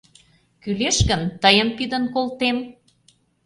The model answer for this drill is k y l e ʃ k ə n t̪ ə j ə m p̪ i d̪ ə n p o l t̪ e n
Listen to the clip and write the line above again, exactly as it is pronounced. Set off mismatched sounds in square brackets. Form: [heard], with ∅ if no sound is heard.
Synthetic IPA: k y l e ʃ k ə n t̪ ə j ə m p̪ i d̪ ə n [k] o l t̪ e [m]